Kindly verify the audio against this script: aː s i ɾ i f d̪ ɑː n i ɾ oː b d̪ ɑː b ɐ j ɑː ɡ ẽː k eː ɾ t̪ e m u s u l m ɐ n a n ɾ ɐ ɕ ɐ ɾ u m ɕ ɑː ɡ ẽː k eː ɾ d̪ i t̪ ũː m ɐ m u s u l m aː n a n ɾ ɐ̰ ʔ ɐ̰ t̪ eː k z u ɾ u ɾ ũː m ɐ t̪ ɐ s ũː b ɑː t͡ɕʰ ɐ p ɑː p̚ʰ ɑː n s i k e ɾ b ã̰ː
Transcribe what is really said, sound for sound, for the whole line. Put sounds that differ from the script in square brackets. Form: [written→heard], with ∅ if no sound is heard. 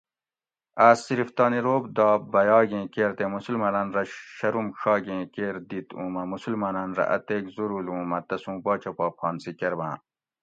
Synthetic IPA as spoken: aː s i ɾ i f [d̪→t̪] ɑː n i ɾ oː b d̪ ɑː b ɐ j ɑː ɡ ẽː k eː ɾ t̪ e m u s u l m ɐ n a n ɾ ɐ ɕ ɐ ɾ u m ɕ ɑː ɡ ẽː k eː ɾ d̪ i t̪ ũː m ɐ m u s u l m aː n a n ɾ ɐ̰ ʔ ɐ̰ t̪ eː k z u ɾ u [ɾ→l] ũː m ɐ t̪ ɐ s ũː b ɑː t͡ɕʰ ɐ p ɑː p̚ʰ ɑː n s i k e ɾ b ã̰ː